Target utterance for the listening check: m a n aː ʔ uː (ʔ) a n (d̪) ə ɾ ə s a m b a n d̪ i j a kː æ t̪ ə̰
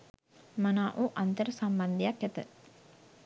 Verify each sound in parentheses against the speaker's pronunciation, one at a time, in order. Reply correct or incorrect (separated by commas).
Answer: correct, incorrect